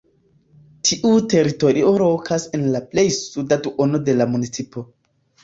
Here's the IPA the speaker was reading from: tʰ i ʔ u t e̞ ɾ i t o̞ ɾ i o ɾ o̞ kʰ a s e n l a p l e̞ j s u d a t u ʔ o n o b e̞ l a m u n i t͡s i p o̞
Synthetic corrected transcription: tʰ i ʔ u t e̞ ɾ i t o̞ ɾ i o ɾ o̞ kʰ a s e n l a p l e̞ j s u d a t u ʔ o n o d e̞ l a m u n i t͡s i p o̞